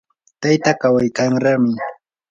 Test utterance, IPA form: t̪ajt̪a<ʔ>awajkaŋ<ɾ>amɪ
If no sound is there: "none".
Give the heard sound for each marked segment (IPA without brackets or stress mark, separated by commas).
k, ɾ